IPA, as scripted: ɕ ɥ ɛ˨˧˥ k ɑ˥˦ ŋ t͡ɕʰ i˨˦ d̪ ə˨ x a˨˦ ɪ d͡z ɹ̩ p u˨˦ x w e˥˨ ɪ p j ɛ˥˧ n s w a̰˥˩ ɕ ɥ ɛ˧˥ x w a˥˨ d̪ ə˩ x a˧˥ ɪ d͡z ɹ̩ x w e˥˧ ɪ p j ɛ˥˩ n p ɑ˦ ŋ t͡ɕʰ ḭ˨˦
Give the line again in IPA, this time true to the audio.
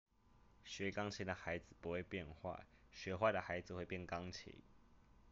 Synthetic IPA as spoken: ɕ ɥ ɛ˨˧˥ k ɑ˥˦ ŋ t͡ɕʰ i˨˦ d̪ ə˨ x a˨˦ ɪ d͡z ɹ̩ p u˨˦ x w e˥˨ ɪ p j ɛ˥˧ n x w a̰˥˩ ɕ ɥ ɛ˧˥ x w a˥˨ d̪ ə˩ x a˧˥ ɪ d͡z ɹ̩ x w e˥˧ ɪ p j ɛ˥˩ n k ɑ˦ ŋ t͡ɕʰ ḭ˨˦